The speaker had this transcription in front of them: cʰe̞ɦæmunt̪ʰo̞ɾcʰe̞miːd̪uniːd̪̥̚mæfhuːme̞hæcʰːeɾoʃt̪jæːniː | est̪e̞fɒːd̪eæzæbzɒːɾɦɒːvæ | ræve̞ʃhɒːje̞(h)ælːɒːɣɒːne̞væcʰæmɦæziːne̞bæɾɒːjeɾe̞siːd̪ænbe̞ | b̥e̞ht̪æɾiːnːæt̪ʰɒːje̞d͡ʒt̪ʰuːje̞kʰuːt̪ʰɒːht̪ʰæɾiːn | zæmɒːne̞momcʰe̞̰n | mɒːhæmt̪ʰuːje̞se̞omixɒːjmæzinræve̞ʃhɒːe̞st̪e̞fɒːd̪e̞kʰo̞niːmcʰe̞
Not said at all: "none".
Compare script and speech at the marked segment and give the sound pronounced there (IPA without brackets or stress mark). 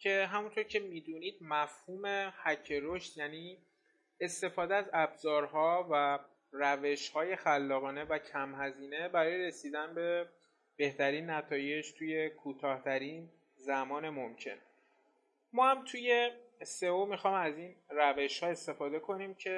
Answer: x